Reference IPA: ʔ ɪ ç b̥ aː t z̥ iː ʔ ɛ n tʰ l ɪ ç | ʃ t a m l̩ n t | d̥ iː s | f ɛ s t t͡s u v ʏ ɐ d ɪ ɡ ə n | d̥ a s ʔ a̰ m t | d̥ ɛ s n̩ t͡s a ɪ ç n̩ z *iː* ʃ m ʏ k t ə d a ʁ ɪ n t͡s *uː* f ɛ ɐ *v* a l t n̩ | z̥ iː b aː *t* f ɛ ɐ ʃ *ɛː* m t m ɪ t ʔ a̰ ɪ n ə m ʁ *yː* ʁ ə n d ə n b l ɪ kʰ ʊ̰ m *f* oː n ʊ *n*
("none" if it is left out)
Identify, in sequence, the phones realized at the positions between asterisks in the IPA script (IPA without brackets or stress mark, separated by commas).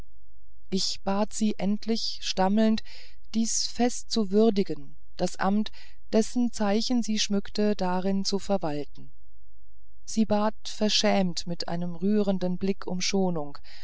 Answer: iː, u, v, t, ɛː, yː, ʃ, ŋ